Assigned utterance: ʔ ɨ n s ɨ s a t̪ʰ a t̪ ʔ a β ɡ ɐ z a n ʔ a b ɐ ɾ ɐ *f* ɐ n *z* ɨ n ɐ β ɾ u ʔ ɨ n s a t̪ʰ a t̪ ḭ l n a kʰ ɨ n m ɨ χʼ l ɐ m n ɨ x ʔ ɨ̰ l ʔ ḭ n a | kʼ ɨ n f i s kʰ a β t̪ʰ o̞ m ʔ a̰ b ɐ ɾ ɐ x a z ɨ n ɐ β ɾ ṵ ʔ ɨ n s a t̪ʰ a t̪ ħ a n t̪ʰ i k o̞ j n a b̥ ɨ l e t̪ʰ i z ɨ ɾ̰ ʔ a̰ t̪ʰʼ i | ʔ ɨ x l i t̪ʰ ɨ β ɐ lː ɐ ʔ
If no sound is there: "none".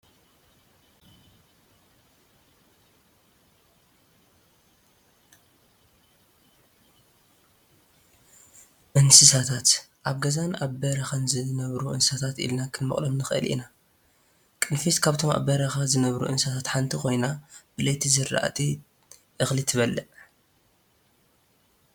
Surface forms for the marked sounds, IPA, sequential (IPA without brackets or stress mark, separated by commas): x, z